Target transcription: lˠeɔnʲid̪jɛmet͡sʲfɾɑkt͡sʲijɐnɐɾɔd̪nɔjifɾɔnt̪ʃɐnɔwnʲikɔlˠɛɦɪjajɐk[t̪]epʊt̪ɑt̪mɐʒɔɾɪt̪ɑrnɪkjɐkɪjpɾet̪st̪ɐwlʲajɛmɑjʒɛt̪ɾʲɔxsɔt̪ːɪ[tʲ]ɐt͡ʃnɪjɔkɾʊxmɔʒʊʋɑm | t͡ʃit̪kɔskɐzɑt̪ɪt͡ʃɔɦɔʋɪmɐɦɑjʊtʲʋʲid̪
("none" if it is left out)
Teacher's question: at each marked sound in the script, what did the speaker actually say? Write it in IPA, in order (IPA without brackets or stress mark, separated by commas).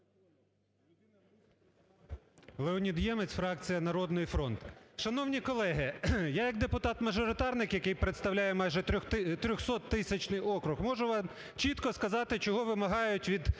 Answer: d̪, sʲ